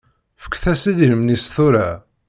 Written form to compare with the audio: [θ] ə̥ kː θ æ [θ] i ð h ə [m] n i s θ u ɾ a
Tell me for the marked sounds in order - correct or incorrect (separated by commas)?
incorrect, incorrect, correct